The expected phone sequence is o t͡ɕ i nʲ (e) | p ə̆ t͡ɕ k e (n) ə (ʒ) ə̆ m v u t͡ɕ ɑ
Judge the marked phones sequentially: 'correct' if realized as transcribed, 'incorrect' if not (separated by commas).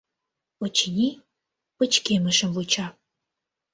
incorrect, incorrect, incorrect